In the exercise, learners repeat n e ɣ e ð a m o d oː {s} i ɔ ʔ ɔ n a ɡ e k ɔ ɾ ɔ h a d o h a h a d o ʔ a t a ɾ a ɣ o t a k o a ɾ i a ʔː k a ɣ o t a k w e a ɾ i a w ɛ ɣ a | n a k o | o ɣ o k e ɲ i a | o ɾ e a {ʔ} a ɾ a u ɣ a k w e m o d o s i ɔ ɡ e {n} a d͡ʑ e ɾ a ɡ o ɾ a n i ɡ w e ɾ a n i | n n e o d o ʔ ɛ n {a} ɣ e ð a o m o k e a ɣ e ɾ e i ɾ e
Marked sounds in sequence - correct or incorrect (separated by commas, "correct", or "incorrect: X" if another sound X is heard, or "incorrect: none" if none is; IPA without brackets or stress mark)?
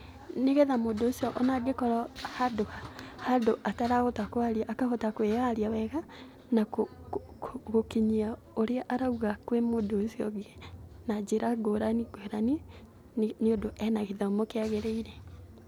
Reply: correct, correct, correct, correct